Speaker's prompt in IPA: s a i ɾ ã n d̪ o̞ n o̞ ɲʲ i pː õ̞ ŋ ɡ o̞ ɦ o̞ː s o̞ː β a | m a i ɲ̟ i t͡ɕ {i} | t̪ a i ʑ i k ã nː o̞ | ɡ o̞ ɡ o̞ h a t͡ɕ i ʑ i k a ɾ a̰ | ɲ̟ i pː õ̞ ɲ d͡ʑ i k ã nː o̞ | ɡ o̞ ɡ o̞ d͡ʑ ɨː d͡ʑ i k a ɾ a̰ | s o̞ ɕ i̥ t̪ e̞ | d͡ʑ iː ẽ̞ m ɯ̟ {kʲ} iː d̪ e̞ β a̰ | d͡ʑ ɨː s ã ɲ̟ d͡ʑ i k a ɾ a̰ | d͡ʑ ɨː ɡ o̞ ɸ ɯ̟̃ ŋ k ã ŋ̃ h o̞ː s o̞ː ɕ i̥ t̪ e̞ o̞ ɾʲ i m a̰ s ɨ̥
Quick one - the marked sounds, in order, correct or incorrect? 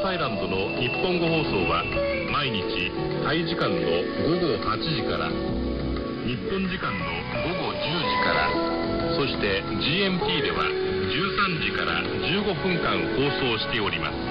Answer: correct, incorrect: pʲ

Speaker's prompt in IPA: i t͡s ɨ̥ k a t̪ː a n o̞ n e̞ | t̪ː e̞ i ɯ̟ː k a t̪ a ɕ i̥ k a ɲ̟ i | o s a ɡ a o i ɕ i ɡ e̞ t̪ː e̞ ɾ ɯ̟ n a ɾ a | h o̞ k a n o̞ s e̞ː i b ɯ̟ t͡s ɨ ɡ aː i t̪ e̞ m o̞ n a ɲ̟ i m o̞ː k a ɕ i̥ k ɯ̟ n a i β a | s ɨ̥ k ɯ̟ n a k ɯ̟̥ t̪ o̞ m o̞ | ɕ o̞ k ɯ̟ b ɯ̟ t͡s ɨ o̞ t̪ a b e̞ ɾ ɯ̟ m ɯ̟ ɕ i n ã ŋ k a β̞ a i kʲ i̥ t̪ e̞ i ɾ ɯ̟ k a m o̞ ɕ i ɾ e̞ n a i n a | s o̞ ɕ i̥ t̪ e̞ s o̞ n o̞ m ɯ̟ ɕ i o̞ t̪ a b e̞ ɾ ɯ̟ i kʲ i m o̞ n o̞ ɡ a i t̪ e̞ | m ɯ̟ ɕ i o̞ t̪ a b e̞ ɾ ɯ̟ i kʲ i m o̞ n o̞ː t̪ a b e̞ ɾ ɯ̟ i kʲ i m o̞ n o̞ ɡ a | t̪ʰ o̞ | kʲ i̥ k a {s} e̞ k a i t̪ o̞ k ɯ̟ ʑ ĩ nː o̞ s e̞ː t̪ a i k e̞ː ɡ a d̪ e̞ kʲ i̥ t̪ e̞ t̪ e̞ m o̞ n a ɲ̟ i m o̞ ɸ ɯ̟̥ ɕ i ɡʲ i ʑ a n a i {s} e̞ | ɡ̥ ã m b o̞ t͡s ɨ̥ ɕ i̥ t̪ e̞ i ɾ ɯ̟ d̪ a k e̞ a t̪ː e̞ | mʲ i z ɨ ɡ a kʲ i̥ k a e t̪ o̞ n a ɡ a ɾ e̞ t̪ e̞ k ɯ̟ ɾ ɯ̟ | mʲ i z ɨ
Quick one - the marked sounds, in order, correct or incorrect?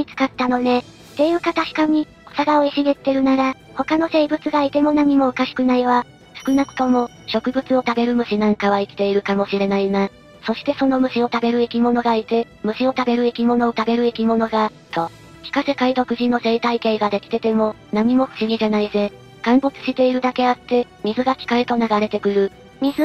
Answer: correct, incorrect: z

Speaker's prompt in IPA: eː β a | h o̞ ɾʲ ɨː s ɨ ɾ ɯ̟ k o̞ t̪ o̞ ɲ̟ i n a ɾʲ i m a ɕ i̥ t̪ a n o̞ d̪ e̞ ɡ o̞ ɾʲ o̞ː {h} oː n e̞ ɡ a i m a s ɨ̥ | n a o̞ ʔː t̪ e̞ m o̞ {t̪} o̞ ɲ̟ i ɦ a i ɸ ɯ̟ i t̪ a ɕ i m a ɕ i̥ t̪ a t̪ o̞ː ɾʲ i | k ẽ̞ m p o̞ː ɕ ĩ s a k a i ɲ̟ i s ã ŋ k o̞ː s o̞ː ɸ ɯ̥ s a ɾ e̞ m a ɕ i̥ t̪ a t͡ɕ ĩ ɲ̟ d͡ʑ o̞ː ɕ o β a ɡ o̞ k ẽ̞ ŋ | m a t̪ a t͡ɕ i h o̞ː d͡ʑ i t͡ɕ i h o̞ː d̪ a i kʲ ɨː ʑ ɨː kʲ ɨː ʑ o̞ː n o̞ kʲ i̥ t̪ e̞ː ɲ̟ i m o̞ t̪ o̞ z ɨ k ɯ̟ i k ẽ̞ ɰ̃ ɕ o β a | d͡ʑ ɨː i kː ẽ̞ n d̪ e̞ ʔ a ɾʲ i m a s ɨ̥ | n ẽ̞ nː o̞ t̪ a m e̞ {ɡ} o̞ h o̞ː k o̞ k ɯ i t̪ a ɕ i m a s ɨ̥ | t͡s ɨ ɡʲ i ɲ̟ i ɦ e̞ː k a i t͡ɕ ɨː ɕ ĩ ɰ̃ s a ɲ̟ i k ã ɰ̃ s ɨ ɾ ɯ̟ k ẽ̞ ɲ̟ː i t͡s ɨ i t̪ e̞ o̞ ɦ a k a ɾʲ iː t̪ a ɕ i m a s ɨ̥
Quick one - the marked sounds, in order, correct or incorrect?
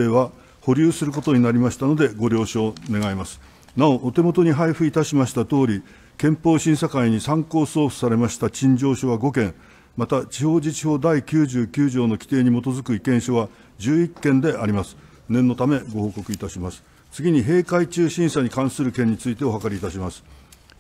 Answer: incorrect: ɕ, correct, correct

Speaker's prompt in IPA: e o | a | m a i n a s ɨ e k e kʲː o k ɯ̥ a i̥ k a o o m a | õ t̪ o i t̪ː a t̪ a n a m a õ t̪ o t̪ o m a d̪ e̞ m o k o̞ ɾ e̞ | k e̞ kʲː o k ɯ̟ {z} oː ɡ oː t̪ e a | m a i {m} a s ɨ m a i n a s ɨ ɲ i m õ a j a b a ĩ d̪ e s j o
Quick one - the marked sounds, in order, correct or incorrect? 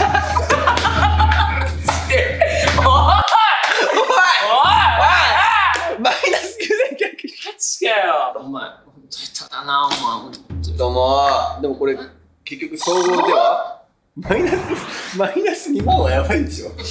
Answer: incorrect: s, incorrect: n

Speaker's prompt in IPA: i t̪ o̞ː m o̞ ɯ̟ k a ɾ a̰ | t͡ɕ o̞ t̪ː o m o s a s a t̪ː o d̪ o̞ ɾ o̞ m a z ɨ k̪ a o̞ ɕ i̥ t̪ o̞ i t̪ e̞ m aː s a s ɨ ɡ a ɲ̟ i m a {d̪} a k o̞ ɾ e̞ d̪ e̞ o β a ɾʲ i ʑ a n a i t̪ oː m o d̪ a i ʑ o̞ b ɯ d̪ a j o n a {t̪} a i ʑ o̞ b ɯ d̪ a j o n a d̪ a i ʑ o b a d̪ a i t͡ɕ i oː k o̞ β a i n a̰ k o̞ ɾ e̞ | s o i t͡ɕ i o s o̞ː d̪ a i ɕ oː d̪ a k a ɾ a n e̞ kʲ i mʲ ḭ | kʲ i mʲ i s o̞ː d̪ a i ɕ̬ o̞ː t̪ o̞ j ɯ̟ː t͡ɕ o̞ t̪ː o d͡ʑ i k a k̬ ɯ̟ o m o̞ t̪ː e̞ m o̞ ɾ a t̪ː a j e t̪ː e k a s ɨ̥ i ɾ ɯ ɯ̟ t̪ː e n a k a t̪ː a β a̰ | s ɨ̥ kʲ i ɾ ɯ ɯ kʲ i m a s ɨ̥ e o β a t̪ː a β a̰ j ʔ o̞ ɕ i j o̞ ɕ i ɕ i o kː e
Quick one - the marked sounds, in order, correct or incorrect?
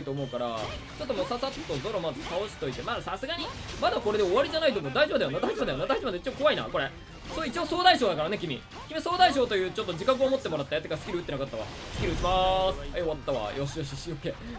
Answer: correct, incorrect: d̪

